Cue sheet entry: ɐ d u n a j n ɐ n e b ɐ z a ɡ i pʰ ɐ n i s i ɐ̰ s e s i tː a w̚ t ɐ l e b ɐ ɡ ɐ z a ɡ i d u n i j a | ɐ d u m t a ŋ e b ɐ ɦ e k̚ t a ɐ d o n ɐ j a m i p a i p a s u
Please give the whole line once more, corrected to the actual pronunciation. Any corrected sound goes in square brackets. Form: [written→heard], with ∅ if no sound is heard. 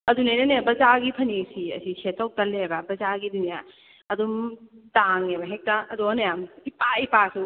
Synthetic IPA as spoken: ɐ d u n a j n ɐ n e b ɐ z a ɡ i pʰ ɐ n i s i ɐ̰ s [e→i] s [i→e] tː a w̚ t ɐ l e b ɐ [ɡ→b] ɐ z a ɡ i d u n i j a | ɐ d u m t a ŋ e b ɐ ɦ e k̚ t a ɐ d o n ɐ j a m i p a i p a s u